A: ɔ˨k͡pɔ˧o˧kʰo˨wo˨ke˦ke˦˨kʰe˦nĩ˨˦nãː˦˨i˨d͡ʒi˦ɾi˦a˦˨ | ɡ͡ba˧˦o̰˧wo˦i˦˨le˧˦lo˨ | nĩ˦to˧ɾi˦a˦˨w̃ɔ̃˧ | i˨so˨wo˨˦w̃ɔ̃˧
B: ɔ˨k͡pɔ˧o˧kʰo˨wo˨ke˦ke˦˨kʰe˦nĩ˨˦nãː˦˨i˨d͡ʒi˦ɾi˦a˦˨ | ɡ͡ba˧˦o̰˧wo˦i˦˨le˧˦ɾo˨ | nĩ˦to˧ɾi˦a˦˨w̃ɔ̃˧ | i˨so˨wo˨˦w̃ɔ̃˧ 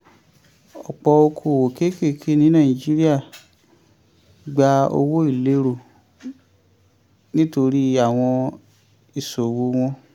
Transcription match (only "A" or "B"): B